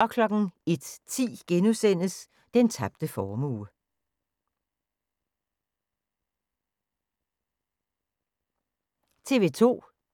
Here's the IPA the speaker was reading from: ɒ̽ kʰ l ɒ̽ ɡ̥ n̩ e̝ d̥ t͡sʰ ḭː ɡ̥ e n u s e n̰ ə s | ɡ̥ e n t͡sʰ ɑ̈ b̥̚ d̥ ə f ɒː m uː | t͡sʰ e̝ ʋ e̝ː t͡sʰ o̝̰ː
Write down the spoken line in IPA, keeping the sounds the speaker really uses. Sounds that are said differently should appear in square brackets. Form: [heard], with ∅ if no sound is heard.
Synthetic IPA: ɒ̽ kʰ l ɒ̽ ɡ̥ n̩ e̝ d̥ t͡sʰ ḭː ɡ̥ e n u s e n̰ ə s | [d̥] e n t͡sʰ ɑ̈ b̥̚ d̥ ə f ɒː m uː | t͡sʰ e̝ ʋ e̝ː t͡sʰ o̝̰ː